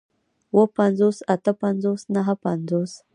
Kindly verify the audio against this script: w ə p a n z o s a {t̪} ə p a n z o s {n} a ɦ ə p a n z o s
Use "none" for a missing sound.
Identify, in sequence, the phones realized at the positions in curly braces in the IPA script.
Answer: t̪, n

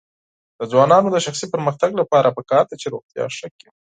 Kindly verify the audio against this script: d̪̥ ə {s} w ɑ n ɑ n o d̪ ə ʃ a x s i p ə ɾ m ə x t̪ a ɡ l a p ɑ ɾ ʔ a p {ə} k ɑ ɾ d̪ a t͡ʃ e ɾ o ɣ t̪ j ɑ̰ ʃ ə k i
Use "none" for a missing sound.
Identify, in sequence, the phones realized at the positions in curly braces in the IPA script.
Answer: z, ə

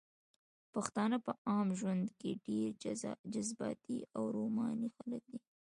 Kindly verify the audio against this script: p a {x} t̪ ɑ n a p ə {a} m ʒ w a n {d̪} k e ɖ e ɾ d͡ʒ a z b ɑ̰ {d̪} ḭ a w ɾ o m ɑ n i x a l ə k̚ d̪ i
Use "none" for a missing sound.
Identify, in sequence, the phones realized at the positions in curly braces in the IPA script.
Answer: x, ɑ, d̪, t̪

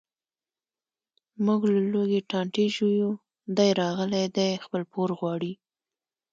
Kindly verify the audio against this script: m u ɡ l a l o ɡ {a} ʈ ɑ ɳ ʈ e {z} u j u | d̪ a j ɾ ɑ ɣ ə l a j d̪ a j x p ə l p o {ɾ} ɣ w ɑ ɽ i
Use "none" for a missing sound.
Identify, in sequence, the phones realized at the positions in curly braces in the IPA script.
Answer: e, ʒ, ɾ

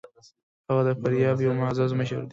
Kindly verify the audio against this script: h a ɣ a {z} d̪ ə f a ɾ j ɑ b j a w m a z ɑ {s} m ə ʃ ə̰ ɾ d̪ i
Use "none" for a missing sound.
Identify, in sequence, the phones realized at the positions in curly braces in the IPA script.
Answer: none, z

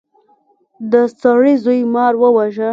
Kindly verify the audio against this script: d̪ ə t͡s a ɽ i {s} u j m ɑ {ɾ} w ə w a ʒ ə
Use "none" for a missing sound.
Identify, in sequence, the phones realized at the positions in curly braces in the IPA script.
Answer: z, ɾ

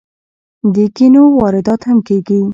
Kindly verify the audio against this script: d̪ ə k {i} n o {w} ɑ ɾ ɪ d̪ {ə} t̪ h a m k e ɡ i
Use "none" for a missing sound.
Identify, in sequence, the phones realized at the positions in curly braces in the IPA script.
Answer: i, w, ɑ

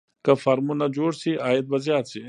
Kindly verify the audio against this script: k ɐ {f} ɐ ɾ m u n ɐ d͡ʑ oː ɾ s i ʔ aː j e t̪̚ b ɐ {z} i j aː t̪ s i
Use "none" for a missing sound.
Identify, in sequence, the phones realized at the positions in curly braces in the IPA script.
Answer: f, z

